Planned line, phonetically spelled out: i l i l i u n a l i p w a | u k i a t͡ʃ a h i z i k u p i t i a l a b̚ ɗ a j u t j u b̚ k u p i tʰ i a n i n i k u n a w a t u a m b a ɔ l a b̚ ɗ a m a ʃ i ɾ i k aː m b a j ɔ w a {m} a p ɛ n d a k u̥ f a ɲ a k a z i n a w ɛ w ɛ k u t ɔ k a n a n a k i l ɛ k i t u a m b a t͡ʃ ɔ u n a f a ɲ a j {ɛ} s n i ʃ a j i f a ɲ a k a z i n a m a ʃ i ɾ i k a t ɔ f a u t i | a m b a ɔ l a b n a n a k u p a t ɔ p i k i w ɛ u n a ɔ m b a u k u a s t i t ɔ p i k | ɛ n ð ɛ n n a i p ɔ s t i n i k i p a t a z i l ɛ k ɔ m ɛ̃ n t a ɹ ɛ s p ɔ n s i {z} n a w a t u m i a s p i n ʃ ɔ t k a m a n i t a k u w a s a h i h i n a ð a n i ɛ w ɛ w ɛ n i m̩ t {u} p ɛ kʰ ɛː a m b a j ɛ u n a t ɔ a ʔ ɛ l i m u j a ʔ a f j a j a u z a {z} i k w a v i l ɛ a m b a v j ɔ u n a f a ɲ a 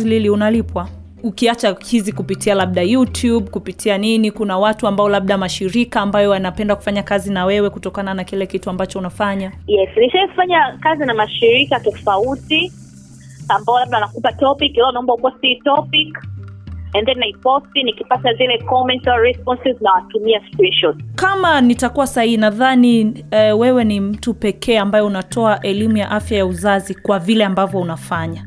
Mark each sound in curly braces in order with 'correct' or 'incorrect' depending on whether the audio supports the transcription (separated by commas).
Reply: incorrect, correct, correct, correct, correct